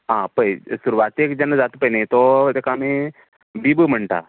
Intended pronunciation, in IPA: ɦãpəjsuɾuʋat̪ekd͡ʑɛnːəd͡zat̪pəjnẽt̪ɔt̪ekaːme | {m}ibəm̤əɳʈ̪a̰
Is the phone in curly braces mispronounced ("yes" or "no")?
yes